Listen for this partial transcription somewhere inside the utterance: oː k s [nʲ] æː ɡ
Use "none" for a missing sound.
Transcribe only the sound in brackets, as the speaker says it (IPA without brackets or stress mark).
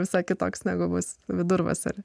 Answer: nʲ